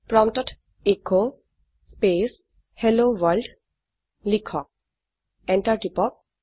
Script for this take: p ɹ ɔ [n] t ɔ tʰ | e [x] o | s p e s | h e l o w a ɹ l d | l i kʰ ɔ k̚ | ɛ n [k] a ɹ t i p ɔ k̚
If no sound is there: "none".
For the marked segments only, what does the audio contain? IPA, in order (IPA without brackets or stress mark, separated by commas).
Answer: m, k, t